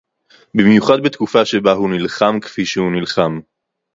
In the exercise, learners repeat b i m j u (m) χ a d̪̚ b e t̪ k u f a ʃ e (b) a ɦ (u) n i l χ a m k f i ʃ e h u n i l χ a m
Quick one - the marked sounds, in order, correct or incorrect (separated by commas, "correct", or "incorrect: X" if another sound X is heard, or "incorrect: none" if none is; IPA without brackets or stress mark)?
incorrect: none, correct, correct